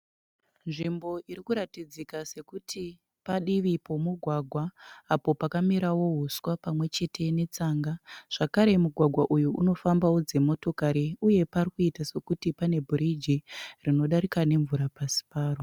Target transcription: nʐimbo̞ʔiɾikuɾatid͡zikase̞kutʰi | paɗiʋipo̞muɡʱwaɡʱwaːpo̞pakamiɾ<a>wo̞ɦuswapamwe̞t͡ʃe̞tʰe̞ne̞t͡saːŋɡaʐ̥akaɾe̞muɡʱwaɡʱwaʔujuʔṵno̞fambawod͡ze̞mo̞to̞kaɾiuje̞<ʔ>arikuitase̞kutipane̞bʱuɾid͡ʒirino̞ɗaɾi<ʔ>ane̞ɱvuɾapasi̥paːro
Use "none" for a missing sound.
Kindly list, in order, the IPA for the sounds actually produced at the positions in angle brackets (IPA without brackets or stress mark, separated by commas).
a, p, k